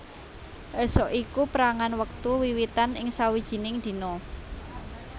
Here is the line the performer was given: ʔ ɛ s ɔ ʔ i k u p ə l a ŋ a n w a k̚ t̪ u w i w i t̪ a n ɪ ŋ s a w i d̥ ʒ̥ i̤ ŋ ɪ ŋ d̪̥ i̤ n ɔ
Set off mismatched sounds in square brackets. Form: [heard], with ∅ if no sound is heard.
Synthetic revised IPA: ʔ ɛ s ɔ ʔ i k u p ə [ɾ] a ŋ a n w [ə] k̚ t̪ u w i w i t̪ a n ɪ ŋ s a w i d̥ ʒ̥ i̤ [n] ɪ ŋ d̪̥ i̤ n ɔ

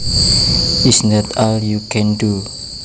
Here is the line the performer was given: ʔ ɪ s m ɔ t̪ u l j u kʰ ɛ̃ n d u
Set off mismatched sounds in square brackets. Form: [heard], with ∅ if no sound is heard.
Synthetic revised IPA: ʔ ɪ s [n] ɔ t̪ [ɔ] l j u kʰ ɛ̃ n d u

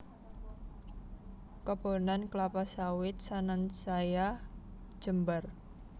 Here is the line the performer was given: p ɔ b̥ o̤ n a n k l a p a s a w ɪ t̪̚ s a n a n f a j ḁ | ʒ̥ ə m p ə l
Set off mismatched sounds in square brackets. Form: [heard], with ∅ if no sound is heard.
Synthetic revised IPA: [k] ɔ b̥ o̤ n a n k l a p a s a w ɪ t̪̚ s a n a n [s] a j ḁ | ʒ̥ ə m [b] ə [r]

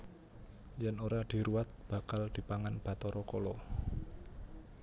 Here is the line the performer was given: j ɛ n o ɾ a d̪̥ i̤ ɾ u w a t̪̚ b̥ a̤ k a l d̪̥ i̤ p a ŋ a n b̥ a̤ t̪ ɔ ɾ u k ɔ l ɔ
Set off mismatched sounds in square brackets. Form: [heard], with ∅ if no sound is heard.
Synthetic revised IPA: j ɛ n o ɾ a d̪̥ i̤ ɾ u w a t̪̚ b̥ a̤ k a l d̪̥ i̤ p a ŋ a n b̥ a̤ t̪ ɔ ɾ [ɔ] k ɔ l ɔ

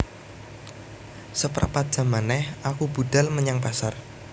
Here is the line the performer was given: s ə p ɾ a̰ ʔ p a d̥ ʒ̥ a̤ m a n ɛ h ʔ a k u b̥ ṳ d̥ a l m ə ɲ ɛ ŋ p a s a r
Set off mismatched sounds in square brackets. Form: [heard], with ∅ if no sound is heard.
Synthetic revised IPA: s ə p ɾ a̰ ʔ p a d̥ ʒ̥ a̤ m a n ɛ h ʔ a k u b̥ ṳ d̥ a l m ə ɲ [a] ŋ p a s a r

